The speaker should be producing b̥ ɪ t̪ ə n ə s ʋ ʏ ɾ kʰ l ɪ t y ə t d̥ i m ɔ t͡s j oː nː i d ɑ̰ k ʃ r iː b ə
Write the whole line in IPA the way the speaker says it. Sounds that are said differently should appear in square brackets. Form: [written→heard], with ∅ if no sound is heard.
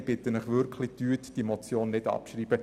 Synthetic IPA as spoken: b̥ ɪ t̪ ə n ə [s→χ] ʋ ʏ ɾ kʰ l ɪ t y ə t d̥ i m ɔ t͡s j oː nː [i→ɪ] d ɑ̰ [k→p] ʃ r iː b ə